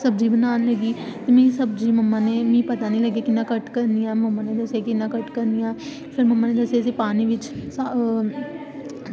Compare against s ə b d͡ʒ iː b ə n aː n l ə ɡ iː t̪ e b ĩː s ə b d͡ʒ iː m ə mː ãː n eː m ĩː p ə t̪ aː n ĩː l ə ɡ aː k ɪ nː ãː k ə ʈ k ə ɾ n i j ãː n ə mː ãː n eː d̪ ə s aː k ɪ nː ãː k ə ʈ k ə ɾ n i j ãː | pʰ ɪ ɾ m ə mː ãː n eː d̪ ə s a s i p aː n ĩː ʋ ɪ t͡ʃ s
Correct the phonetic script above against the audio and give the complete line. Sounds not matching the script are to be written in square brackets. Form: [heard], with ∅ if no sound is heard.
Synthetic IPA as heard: s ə b d͡ʒ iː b ə n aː n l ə ɡ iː t̪ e [m] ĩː s ə b d͡ʒ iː m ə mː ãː n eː m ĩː p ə t̪ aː n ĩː l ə ɡ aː k ɪ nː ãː k ə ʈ k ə ɾ n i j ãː [m] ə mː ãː n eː d̪ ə s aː k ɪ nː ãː k ə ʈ k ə ɾ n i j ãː | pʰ ɪ ɾ m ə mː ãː n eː d̪ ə s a s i p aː n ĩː ʋ ɪ t͡ʃ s

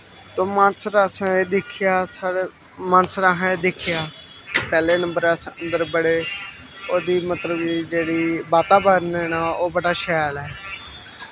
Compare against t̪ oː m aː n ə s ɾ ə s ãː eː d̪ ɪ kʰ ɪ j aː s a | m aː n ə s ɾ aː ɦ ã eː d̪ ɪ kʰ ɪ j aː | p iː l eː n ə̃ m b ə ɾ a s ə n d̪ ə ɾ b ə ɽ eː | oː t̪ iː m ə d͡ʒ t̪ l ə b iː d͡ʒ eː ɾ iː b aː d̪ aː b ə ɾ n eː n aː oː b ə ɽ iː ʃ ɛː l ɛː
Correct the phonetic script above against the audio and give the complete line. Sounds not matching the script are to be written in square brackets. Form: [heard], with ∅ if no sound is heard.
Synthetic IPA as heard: t̪ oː m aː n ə s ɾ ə s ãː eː d̪ ɪ kʰ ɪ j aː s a | m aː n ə s ɾ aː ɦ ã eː d̪ ɪ kʰ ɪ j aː | p [ɛː] l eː n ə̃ m b ə ɾ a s ə n d̪ ə ɾ b ə ɽ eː | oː [d̪] iː m ə [∅] t̪ l ə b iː d͡ʒ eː [ɽ] iː b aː [t̪] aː b ə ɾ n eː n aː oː b ə ɽ [aː] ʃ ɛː l ɛː

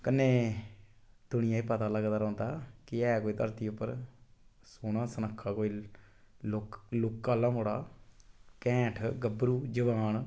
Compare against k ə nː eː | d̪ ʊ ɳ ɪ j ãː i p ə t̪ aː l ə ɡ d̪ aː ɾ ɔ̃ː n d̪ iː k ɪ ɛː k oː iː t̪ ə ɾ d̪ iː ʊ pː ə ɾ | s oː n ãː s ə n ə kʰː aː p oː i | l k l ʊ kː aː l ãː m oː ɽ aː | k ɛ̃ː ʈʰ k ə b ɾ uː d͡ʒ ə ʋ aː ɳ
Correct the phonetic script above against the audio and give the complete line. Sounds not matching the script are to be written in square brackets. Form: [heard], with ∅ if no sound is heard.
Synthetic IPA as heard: k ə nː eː | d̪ ʊ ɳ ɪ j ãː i p ə t̪ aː l ə ɡ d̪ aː ɾ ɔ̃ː n d̪ [aː] k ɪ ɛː k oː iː t̪ ə ɾ [t̪] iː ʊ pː ə ɾ | s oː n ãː s ə n ə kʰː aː [k] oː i | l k l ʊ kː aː l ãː m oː ɽ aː | k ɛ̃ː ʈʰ [ɡ] ə b ɾ uː d͡ʒ ə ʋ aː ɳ

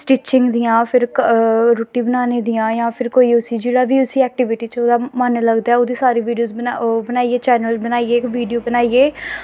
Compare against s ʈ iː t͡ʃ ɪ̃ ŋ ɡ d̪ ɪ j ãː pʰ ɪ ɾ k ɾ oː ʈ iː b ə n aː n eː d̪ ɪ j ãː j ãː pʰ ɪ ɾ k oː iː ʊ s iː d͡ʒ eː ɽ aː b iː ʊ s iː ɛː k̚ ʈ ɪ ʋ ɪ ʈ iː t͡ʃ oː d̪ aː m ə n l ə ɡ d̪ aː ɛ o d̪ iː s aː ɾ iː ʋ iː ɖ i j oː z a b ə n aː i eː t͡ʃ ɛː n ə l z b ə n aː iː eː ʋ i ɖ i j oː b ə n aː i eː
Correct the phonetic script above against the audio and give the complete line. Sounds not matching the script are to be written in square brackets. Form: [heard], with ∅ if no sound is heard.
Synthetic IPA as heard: s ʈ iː t͡ʃ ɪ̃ ŋ ɡ d̪ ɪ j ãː pʰ ɪ ɾ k ɾ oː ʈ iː b ə n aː n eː d̪ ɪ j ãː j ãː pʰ ɪ ɾ k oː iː ʊ s iː d͡ʒ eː ɽ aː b iː ʊ s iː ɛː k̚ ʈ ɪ ʋ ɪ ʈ iː t͡ʃ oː d̪ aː m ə n l ə ɡ d̪ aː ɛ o d̪ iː s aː ɾ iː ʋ iː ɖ i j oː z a b ə n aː i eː t͡ʃ ɛː n ə l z b ə n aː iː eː ʋ [iː] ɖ i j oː b ə n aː i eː

